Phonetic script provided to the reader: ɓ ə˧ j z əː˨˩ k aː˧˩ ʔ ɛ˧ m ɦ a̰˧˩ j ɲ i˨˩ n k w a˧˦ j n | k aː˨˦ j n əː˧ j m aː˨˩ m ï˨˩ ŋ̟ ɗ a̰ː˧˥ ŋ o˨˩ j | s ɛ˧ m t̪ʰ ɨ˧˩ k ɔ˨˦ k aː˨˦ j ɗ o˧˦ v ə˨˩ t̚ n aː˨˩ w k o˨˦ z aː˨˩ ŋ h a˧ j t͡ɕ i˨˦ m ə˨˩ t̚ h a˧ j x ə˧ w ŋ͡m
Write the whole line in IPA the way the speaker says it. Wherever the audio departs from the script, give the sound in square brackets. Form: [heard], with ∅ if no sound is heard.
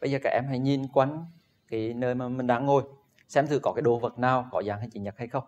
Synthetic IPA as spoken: ɓ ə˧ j z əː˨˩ k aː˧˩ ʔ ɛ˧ m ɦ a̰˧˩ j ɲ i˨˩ n k w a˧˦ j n | k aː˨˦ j n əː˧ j m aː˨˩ m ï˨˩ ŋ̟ ɗ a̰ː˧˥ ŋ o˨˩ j | s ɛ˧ m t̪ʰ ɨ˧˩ k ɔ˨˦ k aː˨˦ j ɗ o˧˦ v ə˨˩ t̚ n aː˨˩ w k [ɔ˨˦] z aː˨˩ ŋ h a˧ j t͡ɕ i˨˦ [ɲ] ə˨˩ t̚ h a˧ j x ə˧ w ŋ͡m